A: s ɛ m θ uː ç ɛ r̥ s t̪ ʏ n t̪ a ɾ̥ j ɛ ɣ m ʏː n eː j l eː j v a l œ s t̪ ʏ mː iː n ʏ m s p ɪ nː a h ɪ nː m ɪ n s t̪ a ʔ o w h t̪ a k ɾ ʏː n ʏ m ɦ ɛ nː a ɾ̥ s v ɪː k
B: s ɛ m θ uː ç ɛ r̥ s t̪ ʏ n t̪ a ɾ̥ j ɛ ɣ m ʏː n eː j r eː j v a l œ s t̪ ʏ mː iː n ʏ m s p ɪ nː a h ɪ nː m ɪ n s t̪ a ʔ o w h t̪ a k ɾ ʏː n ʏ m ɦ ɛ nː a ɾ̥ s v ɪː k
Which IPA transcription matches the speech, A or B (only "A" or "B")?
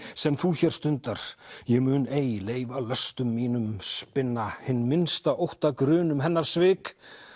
A